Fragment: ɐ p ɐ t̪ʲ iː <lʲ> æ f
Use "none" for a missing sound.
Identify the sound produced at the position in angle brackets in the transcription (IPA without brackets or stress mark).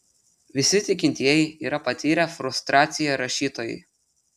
ɾʲ